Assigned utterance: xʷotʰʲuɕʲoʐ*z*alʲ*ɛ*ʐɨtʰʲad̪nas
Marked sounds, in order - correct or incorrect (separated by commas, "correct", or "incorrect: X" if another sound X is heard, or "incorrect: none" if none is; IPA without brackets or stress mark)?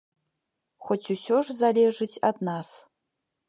correct, incorrect: e